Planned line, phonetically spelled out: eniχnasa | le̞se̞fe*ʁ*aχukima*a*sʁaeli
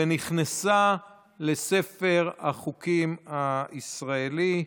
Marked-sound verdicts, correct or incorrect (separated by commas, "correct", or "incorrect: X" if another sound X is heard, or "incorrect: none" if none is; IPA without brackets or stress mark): correct, incorrect: i